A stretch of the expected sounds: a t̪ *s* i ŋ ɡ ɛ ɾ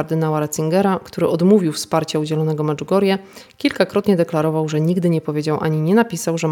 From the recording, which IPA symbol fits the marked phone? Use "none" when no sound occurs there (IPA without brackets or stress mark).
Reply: s